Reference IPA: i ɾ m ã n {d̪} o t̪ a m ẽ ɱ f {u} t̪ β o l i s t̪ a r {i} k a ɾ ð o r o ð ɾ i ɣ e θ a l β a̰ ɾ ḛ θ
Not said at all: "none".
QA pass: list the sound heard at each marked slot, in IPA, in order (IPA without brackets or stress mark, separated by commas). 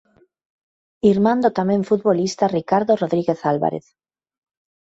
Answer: d̪, u, i